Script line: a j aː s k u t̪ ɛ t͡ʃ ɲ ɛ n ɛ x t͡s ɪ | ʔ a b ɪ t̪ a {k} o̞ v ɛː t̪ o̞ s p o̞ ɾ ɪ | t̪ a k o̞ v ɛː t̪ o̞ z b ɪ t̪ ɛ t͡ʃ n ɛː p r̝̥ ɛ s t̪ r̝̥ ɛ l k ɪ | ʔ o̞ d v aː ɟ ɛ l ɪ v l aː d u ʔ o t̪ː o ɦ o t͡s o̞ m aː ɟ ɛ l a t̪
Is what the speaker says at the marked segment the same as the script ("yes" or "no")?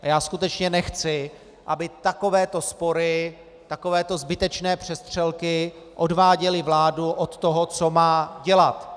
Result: yes